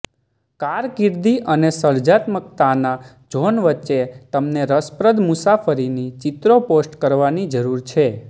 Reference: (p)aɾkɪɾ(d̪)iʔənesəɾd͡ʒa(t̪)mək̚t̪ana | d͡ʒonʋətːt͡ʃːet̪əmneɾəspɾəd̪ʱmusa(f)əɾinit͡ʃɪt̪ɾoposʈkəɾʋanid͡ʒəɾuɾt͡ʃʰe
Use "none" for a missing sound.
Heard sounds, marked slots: k, d̪, t̪, f

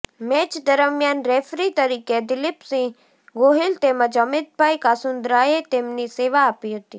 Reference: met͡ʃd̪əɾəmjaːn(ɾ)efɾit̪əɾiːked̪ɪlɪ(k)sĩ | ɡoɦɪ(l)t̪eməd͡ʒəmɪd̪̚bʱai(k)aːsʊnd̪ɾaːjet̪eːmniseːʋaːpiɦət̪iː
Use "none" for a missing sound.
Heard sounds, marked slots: ɾ, p, l, k

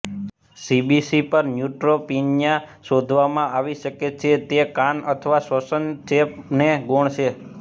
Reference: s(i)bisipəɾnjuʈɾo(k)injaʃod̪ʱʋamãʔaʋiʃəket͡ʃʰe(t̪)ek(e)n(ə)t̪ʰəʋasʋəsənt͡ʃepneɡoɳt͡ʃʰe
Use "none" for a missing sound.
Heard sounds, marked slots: i, p, t̪, a, ə

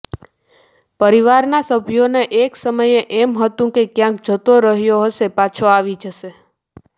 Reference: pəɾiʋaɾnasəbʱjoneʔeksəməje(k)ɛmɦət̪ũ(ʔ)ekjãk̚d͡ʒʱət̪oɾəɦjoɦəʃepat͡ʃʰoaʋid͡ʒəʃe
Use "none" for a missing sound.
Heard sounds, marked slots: ʔ, k

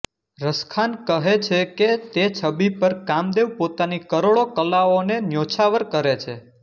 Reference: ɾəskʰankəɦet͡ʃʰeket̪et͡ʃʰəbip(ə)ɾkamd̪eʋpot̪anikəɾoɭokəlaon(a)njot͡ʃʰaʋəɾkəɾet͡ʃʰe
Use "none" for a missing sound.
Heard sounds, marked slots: ə, e

